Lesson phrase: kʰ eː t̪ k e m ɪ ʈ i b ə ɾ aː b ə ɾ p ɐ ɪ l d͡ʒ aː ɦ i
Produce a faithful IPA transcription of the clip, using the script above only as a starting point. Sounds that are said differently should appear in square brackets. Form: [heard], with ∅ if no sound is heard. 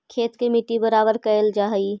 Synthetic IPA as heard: kʰ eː t̪ k e m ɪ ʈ i b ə ɾ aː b ə ɾ [k] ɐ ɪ l d͡ʒ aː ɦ i